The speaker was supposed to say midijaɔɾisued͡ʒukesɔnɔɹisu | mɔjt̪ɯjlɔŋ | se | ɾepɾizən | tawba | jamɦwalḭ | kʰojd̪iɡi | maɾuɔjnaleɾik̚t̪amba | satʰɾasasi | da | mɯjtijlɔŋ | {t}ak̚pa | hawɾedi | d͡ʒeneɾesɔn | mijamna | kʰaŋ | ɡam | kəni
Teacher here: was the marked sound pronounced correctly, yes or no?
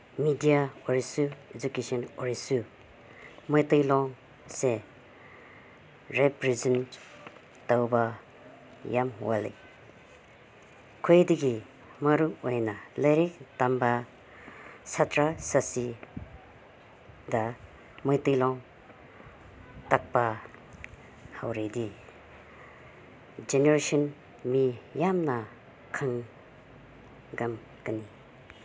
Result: yes